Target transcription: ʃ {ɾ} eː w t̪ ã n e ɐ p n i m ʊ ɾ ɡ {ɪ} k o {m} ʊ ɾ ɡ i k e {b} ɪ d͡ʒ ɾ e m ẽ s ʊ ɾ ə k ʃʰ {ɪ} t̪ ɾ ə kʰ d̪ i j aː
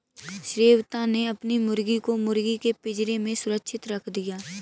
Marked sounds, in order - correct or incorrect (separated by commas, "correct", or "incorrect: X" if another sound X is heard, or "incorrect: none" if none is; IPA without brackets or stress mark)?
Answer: correct, incorrect: i, correct, incorrect: p, correct